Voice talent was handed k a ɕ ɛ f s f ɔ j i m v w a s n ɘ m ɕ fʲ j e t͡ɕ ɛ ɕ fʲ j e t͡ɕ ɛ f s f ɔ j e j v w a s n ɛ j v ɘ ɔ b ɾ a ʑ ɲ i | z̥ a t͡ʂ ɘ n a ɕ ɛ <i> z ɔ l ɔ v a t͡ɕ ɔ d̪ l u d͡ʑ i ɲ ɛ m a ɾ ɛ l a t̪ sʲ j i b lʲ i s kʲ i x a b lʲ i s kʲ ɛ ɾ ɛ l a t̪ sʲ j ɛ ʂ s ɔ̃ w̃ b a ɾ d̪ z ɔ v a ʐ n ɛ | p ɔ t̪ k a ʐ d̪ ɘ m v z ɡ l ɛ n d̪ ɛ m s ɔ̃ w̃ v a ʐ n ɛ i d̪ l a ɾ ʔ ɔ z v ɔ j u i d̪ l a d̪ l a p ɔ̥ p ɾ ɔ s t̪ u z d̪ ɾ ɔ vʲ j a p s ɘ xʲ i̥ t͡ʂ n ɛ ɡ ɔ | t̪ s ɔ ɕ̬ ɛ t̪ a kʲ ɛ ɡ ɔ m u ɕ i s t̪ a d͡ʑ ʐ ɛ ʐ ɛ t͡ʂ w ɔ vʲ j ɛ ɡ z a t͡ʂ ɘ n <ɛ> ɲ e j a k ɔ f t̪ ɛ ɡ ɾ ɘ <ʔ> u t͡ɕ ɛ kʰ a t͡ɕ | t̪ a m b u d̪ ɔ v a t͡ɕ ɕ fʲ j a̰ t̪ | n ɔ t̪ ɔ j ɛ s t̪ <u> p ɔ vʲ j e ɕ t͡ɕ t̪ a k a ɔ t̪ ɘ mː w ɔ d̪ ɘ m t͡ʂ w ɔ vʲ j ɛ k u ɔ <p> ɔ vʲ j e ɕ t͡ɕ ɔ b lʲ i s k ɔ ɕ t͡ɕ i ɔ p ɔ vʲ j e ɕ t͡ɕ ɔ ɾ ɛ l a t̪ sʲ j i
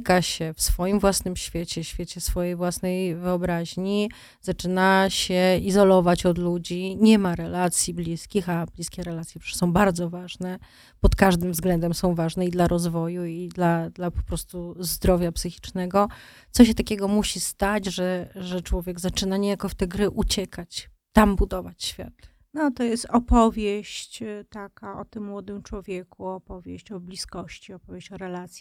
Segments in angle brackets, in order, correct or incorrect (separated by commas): correct, incorrect, correct, incorrect, correct